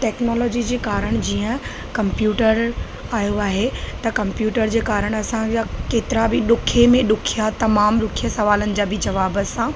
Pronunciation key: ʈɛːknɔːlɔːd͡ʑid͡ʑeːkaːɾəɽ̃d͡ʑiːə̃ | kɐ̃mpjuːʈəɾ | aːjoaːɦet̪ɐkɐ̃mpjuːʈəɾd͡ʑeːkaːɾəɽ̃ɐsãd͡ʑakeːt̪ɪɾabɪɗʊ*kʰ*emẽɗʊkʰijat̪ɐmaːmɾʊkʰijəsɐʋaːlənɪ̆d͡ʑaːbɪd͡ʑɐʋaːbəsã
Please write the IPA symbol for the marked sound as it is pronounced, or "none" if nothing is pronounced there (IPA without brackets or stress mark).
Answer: kʰ